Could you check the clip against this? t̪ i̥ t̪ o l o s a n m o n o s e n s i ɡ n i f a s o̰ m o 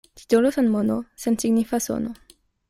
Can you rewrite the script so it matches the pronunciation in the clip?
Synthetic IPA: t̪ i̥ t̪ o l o s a n m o n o s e n s i ɡ n i f a s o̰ n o